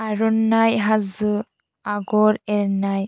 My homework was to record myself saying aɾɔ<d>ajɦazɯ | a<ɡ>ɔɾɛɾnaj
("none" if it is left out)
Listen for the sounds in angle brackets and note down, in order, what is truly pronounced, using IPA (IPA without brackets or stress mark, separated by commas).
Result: n, ɡ